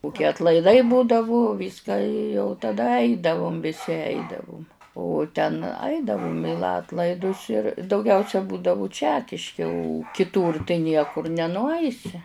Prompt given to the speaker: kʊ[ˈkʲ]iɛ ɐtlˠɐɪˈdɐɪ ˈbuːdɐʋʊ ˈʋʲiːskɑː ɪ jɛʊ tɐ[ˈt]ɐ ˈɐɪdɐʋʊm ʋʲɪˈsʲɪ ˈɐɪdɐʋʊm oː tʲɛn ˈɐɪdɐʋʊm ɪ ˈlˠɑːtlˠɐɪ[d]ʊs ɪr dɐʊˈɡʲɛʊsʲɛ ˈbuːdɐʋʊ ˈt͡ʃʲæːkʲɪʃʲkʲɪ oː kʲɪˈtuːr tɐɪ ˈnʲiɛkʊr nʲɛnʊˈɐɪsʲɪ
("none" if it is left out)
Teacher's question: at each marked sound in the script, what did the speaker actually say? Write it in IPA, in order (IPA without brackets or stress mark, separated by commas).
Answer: kʲ, d, d